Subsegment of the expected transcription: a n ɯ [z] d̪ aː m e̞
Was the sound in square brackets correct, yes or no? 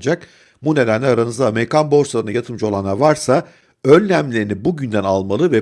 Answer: yes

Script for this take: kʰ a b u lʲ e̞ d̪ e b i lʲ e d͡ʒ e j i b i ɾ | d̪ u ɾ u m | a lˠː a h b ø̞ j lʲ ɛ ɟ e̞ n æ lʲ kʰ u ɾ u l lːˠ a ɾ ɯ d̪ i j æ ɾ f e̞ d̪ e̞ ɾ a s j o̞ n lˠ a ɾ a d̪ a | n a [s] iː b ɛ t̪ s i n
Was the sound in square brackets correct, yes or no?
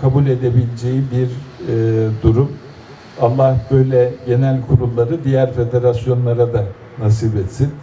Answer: yes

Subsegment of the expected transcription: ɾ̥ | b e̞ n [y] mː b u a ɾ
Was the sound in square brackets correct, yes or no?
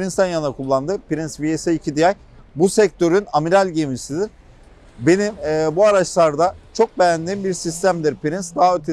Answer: no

